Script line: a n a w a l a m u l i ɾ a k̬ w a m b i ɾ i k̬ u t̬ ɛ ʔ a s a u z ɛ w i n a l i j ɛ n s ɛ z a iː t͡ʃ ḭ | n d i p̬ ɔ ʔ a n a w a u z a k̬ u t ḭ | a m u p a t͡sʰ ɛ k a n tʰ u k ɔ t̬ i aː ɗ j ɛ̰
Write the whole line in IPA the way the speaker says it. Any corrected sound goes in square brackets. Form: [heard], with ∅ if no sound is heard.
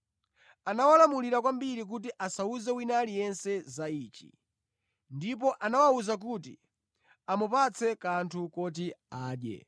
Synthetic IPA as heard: a n a w a l a m u l i ɾ a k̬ w a m b i ɾ i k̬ u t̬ [i] ʔ a s a u z ɛ w i n a l i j ɛ n s ɛ z a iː t͡ʃ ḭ | n d i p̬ ɔ ʔ a n a w a u z a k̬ u t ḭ | a m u p a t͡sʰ ɛ k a n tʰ u k ɔ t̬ i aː ɗ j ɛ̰